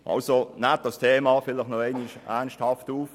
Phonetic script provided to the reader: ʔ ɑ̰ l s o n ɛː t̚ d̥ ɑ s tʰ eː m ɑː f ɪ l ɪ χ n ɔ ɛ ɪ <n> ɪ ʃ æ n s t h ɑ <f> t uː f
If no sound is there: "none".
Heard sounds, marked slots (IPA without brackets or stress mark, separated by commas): n, f